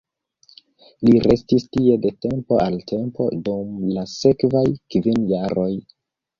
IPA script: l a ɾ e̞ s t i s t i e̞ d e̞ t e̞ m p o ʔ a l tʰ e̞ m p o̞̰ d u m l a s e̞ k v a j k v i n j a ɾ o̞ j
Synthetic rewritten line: l i ɾ e̞ s t i s t i e̞ d e̞ t e̞ m p o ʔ a l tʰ e̞ m p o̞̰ d u m l a s e̞ k v a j k v i n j a ɾ o̞ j